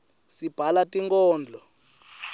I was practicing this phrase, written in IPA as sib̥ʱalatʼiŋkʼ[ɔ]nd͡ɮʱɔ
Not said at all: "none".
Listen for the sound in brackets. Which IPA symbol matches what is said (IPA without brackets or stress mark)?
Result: ɔː